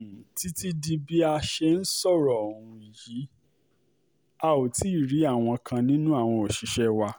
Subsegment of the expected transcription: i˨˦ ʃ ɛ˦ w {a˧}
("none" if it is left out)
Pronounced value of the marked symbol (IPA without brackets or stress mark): a˧